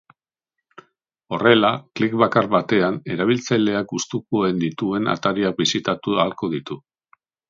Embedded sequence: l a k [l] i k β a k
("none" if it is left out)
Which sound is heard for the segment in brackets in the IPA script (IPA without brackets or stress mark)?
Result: l